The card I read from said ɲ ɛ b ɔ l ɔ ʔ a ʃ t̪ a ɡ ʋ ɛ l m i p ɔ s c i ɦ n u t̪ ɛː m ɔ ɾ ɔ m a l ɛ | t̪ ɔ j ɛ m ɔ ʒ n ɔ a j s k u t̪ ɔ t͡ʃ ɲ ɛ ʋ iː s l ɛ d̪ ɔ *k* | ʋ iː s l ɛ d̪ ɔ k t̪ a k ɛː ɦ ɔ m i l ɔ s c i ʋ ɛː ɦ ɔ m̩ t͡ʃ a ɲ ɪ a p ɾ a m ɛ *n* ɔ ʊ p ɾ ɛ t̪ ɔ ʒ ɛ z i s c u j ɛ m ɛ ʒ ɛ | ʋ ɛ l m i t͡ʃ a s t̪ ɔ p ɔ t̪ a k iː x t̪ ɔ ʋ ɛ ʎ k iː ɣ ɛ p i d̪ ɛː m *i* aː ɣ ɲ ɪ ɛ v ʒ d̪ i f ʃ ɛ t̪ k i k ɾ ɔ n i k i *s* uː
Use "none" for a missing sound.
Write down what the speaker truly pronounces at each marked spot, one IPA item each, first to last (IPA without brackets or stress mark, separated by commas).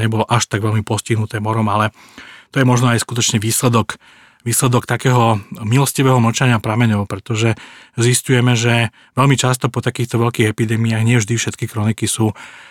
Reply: k, ɲ, i, s